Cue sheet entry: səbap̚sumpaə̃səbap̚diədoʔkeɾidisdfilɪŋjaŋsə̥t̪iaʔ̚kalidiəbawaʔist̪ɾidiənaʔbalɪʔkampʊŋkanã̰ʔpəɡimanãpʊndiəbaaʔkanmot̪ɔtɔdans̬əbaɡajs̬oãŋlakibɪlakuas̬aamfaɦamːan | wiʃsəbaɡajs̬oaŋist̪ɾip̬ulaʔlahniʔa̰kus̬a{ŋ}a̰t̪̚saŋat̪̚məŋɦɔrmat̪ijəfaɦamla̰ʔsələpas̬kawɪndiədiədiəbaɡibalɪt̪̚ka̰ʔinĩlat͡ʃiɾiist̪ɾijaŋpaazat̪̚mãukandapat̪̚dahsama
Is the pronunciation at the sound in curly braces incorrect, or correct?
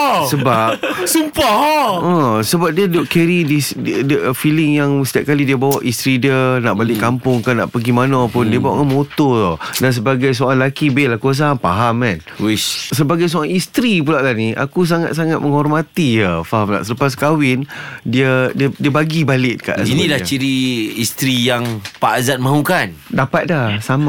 correct